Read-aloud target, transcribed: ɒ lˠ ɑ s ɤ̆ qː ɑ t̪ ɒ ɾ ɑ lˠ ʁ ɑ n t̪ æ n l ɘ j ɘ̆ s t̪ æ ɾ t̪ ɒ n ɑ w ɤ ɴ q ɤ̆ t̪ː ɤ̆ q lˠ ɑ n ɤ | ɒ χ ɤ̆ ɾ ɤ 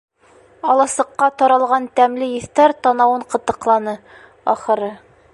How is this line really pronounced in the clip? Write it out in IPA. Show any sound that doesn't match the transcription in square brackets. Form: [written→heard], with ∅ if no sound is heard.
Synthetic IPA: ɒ lˠ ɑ s ɤ̆ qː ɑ t̪ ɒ ɾ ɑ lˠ ʁ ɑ n t̪ æ [n→m] l ɘ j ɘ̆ [s→θ] t̪ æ ɾ t̪ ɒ n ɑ w ɤ ɴ q ɤ̆ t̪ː ɤ̆ q lˠ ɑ n ɤ | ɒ χ ɤ̆ ɾ ɤ